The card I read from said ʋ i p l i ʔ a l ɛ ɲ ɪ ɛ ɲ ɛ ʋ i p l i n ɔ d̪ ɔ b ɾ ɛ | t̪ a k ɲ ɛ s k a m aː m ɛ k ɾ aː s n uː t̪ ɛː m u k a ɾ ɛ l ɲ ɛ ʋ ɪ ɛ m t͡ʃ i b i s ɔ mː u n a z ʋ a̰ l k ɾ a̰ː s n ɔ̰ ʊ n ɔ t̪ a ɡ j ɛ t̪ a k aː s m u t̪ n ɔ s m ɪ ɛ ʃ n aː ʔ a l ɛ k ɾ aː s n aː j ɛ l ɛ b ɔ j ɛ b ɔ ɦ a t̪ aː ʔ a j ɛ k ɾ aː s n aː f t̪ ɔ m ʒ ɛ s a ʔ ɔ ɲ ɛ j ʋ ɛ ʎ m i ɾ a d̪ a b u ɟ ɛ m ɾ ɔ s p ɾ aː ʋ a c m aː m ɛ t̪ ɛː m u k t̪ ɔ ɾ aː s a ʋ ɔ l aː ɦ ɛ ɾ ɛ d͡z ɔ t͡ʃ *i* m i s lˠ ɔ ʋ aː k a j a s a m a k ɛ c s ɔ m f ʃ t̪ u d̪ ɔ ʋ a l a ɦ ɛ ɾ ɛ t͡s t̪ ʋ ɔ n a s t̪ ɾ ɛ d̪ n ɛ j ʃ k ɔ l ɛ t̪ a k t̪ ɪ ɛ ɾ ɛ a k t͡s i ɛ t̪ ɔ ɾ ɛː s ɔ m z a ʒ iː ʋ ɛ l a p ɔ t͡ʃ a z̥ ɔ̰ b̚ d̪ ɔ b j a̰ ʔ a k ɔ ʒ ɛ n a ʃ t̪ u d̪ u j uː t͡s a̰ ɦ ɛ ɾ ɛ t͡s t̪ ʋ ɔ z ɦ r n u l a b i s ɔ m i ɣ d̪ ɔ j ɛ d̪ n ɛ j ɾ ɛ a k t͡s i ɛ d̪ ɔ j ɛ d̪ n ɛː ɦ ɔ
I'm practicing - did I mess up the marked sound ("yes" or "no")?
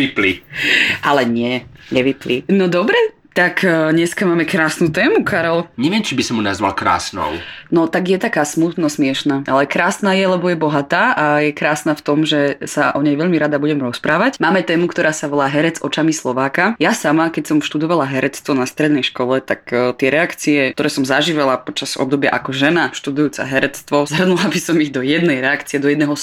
yes